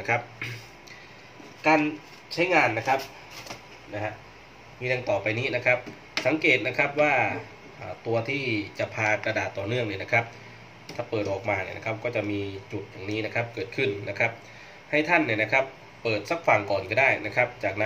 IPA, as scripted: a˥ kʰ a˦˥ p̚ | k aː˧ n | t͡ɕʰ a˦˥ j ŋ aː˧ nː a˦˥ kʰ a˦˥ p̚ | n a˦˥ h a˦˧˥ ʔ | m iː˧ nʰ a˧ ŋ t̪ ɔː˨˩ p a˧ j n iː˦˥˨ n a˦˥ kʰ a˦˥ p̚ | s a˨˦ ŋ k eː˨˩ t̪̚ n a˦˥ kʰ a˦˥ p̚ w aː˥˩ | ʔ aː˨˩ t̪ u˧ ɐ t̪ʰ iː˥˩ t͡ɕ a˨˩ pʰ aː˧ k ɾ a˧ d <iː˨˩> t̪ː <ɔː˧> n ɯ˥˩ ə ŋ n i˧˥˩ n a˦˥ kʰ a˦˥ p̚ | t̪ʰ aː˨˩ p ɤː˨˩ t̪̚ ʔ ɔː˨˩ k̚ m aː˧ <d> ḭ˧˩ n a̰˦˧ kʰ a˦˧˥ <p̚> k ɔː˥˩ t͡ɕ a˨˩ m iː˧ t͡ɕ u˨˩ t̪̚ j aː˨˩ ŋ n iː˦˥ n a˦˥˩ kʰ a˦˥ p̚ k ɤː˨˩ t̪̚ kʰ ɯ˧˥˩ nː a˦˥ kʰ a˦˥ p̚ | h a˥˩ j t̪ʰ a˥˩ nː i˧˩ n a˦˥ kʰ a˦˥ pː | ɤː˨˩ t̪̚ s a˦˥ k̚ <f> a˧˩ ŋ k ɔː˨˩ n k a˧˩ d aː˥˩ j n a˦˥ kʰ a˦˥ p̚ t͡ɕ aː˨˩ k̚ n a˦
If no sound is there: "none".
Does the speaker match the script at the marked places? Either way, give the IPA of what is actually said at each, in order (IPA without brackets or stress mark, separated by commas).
aː˨˩, ɔː˨˩, n, p̚, f